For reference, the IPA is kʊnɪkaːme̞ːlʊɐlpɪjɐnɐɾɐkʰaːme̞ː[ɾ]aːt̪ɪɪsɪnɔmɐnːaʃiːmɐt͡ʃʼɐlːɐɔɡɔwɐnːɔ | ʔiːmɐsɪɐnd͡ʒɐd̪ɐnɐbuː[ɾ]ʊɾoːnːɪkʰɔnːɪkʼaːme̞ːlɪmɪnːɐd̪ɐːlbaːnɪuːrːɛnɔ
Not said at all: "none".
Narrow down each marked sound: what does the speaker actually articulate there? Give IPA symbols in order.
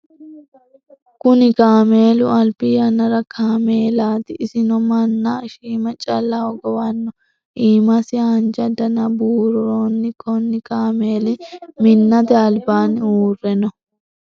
l, ɾ

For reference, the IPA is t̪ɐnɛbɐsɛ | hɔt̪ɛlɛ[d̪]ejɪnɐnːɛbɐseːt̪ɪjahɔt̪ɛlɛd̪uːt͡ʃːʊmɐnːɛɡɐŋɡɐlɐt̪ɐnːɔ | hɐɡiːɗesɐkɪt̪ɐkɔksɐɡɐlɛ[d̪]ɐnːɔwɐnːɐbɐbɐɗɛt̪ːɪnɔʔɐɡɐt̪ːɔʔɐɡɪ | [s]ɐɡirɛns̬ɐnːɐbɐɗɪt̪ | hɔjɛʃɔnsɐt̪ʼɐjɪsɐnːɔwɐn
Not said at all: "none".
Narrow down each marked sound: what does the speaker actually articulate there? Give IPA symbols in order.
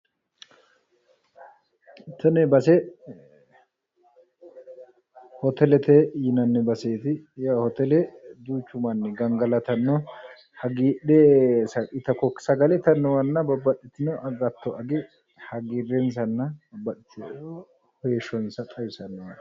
t̪, t̪, h

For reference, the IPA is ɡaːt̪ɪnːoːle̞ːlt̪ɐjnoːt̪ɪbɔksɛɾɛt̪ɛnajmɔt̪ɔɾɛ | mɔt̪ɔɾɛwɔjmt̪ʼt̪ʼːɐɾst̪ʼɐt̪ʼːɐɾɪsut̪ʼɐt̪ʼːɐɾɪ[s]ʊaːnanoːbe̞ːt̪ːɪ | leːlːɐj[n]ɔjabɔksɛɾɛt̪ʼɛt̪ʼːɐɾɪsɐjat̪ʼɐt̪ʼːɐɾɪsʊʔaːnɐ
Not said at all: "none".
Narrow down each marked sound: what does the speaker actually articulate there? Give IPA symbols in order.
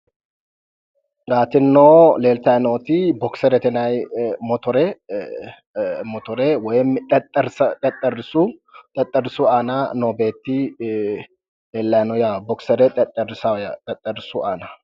s, n

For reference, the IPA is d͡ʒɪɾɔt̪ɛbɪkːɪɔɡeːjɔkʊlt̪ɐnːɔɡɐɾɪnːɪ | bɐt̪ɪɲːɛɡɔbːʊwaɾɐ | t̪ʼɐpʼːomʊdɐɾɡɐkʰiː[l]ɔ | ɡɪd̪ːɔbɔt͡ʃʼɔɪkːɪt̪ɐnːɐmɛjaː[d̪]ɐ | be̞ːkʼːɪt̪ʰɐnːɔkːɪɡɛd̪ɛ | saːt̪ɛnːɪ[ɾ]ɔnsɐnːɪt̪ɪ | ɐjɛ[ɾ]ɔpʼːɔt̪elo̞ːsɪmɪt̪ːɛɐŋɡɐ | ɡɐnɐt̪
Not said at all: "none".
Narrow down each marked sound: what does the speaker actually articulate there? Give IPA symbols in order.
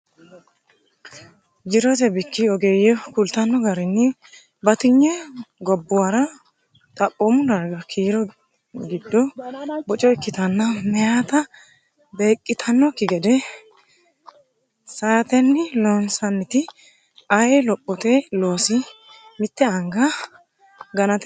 ɾ, t̪, l, l

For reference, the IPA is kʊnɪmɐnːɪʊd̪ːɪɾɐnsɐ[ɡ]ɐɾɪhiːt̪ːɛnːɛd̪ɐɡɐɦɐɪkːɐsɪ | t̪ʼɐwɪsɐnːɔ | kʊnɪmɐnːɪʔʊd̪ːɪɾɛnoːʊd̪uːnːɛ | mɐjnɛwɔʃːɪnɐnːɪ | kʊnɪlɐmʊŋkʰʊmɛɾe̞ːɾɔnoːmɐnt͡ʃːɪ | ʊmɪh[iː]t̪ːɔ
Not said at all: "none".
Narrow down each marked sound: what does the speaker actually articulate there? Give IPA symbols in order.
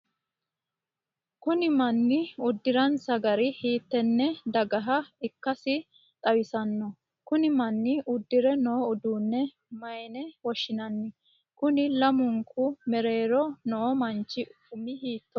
ɡ, iː

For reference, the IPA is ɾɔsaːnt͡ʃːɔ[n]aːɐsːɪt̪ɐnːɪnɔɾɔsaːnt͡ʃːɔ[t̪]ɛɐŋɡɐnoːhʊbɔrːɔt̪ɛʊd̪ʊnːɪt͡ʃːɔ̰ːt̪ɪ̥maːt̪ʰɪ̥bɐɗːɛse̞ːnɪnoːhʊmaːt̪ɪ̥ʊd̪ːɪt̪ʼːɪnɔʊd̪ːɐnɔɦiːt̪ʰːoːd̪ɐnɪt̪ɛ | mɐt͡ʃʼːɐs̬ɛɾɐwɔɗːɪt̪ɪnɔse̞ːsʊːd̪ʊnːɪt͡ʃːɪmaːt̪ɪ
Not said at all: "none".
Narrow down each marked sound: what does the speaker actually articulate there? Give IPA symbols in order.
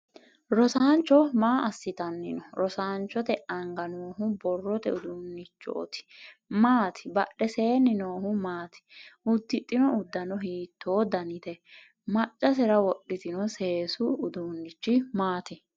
m, t̪

